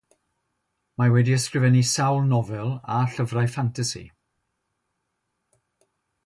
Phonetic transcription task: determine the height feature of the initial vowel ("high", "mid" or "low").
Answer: low